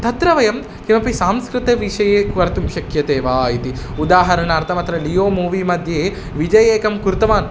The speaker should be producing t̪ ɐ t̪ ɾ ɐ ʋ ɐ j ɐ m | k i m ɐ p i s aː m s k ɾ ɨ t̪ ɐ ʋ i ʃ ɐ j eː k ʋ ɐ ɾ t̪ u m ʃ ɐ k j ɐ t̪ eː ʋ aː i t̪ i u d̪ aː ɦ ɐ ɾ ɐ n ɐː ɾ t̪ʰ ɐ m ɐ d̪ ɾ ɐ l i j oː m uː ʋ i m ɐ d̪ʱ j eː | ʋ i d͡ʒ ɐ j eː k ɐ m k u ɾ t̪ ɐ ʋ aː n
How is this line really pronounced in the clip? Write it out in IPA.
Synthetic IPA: t̪ ɐ t̪ ɾ ɐ ʋ ɐ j ɐ m | k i m ɐ p i s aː m s k ɾ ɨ t̪ ɐ ʋ i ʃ ɐ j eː k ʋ ɐ ɾ t̪ u m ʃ ɐ k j ɐ t̪ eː ʋ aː i t̪ i u d̪ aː ɦ ɐ ɾ ɐ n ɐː ɾ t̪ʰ ɐ m ɐ t̪ ɾ ɐ l i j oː m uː ʋ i m ɐ d̪ʱ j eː | ʋ i d͡ʒ ɐ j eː k ɐ m k u ɾ t̪ ɐ ʋ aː n